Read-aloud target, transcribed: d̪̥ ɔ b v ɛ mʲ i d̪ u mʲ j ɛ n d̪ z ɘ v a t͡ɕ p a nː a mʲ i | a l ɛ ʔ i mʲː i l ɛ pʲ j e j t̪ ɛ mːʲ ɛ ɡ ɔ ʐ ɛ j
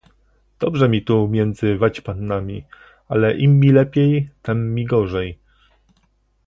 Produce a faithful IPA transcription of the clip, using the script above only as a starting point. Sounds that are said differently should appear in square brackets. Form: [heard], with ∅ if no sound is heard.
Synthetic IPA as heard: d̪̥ ɔ b [ʐ] ɛ mʲ i [t̪] u mʲ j ɛ n d̪ z ɘ v a t͡ɕ p a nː a mʲ i | a l ɛ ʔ i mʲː i l ɛ pʲ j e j t̪ ɛ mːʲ [i] ɡ ɔ ʐ ɛ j